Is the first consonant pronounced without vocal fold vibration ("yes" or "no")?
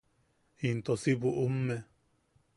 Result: no